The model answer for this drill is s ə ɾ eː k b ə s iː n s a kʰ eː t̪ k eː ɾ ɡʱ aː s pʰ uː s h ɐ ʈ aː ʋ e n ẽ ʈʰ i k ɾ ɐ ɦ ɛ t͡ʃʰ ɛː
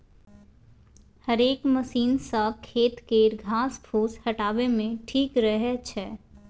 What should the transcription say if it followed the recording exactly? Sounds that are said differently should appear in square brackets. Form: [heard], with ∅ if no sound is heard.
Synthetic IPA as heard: [h] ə ɾ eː k [m] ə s iː n s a kʰ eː t̪ k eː ɾ ɡʱ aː s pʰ uː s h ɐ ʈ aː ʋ e [m] ẽ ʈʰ [iː] k ɾ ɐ ɦ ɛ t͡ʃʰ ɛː